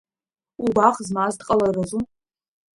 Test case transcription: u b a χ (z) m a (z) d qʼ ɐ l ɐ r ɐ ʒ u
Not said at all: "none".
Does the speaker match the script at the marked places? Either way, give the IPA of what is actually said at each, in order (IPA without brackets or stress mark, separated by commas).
z, z